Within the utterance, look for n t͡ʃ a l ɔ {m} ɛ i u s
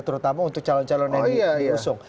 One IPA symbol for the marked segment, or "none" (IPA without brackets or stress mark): n